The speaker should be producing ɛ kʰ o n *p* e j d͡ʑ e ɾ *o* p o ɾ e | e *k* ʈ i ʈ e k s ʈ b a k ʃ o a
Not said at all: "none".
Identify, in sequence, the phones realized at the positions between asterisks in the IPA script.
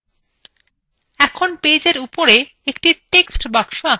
p, u, k

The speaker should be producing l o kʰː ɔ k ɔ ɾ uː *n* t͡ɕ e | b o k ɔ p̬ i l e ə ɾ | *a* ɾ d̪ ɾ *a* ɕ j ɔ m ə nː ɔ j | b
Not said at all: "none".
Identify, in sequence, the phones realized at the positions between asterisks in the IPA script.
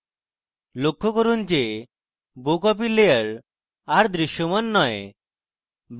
n, a, i

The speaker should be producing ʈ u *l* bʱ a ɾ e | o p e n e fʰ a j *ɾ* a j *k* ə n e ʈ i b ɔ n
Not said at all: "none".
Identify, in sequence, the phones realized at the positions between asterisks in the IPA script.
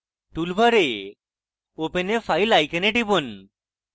l, l, k

